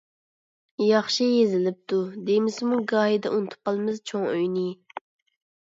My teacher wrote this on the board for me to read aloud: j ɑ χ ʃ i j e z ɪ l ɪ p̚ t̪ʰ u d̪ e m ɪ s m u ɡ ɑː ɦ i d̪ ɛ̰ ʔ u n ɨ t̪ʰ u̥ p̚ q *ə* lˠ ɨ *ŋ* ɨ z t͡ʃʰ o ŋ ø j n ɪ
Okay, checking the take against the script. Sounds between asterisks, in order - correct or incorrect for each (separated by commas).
incorrect, incorrect